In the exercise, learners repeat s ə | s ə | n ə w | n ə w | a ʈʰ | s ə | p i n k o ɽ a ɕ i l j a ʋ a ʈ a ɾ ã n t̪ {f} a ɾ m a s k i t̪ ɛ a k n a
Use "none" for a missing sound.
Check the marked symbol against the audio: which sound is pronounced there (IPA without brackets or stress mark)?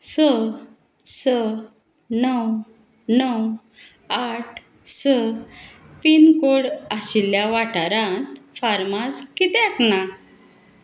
f